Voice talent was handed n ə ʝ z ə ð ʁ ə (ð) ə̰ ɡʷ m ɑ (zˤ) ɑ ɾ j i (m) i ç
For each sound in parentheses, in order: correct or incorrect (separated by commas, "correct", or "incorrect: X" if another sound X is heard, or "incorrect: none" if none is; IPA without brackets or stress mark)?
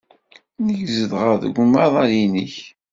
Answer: correct, incorrect: ðˤ, incorrect: n